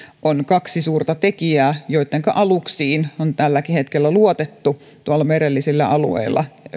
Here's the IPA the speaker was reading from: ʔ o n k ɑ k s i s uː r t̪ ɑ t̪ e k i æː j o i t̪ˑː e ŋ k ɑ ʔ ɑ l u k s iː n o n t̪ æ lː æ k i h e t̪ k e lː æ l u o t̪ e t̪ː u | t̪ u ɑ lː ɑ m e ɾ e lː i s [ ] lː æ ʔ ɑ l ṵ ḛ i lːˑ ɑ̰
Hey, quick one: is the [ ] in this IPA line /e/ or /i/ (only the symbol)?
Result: i